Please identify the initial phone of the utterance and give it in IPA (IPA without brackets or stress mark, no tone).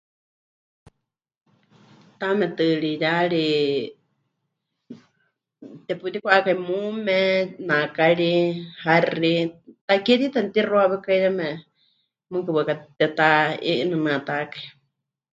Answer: t̪